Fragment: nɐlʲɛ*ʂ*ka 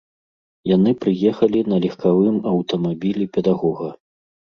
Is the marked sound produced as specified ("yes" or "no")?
no